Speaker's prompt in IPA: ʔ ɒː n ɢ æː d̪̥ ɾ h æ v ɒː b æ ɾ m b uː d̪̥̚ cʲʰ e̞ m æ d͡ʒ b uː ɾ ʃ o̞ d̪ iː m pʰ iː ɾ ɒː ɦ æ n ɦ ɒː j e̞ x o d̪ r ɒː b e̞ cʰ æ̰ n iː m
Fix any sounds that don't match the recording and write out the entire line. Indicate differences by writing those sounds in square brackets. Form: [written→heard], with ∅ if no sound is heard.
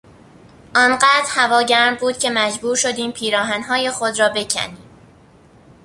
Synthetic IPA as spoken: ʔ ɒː n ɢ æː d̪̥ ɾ h æ v ɒː [b→ɟ] æ ɾ m b uː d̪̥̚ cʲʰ e̞ m æ d͡ʒ b uː ɾ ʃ o̞ d̪ iː m pʰ iː ɾ ɒː ɦ æ n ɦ ɒː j e̞ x o d̪ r ɒː b e̞ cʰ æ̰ n iː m